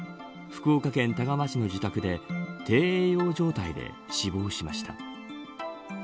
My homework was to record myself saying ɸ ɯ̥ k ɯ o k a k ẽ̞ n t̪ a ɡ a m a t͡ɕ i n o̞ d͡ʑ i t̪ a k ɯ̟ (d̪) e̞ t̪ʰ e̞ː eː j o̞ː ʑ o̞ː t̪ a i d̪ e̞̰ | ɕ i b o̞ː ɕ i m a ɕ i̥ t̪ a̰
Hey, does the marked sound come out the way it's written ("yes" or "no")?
yes